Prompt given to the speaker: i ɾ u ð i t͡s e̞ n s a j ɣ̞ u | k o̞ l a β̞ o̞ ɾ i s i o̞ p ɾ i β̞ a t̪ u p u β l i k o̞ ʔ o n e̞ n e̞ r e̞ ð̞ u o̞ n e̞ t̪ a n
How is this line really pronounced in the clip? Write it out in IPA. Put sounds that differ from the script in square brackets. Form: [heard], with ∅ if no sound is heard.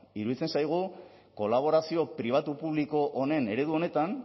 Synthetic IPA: i ɾ u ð i t͡s e̞ n s a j ɣ̞ u | k o̞ l a β̞ o̞ ɾ [a] s i o̞ p ɾ i β̞ a t̪ u p u β l i k o̞ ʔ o n e̞ n e̞ [ɾ] e̞ ð̞ u o̞ n e̞ t̪ a n